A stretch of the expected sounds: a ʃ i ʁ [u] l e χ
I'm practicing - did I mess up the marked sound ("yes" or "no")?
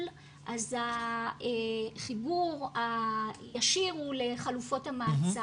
no